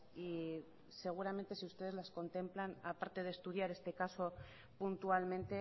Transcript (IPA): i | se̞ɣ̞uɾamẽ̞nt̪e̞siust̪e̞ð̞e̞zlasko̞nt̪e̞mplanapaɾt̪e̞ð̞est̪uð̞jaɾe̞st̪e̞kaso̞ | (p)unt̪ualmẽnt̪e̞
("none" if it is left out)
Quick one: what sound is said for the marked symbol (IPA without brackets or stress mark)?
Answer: p